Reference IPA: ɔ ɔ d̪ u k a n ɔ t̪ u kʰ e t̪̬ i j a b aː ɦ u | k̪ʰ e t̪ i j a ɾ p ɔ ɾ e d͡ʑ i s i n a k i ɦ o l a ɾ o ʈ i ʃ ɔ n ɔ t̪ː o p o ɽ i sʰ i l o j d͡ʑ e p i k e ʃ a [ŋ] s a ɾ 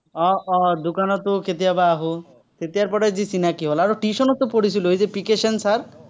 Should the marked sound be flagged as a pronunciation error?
yes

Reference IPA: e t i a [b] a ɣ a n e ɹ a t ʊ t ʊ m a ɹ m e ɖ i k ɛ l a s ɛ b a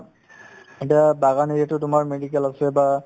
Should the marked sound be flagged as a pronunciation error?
no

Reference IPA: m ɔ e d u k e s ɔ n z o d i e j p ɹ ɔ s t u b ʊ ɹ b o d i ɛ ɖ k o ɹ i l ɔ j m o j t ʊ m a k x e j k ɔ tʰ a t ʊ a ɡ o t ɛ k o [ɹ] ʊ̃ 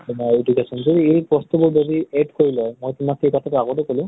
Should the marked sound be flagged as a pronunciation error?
yes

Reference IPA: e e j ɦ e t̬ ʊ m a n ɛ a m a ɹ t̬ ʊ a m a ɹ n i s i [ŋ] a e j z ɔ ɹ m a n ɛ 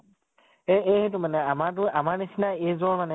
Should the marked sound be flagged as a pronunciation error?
yes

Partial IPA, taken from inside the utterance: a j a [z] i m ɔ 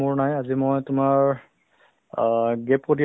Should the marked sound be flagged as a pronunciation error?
no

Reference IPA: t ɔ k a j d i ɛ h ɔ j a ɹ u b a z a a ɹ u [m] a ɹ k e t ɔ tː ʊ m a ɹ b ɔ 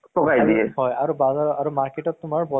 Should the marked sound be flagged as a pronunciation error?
no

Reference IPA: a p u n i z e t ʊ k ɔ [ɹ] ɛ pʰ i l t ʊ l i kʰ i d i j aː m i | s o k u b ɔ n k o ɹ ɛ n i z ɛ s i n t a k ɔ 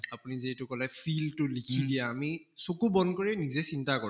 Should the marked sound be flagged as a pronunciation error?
yes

